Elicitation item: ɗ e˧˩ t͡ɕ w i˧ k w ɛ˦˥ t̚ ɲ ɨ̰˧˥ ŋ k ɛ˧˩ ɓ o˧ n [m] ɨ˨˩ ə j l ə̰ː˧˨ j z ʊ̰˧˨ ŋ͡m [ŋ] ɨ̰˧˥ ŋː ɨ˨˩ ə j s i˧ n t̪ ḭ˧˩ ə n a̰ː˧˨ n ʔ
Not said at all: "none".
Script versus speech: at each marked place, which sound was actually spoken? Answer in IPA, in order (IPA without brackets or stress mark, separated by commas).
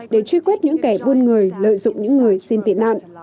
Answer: ŋ, ɲ